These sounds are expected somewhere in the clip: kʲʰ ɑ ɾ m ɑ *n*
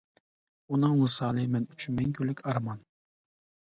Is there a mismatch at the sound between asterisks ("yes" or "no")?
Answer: no